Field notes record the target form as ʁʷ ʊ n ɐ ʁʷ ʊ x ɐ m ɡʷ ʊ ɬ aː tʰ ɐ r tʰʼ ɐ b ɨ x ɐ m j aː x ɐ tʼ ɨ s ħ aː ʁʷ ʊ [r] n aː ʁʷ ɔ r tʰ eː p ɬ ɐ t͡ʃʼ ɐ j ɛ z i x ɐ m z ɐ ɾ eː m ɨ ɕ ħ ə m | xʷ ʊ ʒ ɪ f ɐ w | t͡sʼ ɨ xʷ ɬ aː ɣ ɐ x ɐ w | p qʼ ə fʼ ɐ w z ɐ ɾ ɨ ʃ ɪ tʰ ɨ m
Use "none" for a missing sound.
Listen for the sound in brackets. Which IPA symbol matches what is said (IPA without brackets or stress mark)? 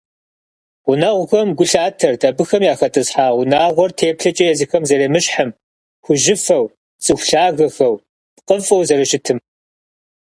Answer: none